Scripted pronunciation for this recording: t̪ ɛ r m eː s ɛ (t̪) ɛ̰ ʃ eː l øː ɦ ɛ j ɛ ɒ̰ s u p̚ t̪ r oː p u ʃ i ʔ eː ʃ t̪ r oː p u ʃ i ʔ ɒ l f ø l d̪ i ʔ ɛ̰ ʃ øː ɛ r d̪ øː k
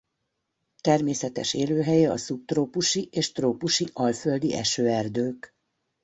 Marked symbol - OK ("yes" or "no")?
yes